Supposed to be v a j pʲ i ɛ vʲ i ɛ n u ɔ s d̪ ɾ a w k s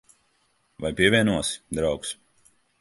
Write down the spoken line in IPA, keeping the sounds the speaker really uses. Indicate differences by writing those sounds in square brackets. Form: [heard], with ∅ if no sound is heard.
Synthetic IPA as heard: v a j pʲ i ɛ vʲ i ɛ n u ɔ s d̪ ɾ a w k s